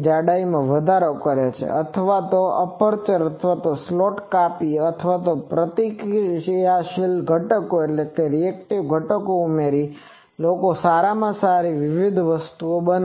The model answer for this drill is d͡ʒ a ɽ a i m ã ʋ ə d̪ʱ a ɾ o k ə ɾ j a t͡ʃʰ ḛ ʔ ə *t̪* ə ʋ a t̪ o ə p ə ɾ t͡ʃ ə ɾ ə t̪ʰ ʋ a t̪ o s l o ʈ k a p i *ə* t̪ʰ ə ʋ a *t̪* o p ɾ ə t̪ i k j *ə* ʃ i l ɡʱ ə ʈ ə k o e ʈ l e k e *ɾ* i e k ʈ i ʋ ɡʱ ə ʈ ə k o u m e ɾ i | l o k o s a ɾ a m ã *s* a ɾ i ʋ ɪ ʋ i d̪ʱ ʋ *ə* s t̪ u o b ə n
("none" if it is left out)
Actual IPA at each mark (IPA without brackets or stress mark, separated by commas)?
t̪ʰ, ə, t̪, a, ɾ, s, ə